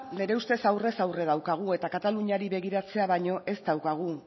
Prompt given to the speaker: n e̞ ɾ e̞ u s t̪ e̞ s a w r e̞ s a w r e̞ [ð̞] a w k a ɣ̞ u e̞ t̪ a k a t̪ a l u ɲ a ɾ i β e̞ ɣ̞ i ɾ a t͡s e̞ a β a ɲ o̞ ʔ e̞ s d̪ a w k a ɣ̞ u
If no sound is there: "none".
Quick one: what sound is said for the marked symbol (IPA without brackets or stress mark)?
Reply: ð̞